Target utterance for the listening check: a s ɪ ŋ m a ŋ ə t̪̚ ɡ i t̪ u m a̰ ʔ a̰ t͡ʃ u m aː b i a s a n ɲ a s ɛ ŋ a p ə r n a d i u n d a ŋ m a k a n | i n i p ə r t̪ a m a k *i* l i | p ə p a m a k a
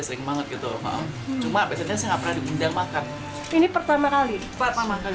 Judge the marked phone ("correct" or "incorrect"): incorrect